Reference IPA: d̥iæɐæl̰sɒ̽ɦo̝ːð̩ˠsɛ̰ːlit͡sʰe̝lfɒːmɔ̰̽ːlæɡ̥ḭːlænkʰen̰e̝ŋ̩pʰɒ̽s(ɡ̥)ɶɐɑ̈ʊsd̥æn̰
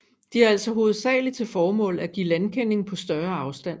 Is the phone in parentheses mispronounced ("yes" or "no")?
yes